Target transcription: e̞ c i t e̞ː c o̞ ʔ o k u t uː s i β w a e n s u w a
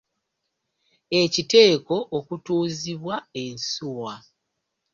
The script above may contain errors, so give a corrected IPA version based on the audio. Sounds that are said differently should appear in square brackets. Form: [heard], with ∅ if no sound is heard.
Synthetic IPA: e̞ c i t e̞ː [k] o̞ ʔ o k u t uː [z] i β w a e n s u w a